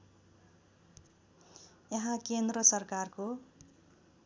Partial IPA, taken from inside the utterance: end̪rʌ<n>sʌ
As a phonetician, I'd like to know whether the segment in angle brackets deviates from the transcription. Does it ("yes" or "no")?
yes